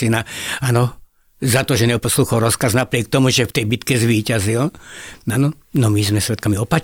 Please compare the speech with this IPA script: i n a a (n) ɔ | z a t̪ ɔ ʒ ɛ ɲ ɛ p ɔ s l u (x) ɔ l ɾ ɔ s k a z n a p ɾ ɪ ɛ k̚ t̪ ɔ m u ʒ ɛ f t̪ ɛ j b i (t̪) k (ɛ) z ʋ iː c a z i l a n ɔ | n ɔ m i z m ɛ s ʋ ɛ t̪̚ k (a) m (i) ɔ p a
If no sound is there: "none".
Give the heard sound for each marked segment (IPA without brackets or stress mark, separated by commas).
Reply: n, x, t̪, ɛ, a, i